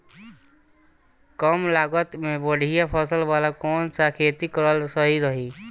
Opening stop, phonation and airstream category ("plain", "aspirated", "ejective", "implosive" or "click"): plain